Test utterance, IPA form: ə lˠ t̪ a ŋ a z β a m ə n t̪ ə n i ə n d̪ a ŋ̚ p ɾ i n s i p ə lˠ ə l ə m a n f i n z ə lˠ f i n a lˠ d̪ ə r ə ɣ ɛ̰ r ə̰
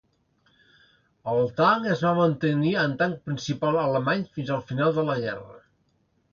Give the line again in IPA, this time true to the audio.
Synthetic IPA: ə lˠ t̪ a ŋ ə z β a m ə n t̪ ə n i ə n t̪ a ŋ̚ p ɾ i n s i p a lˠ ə l ə m a ɲ f i n z ə lˠ f i n a lˠ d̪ ə l ə ɣ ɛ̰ r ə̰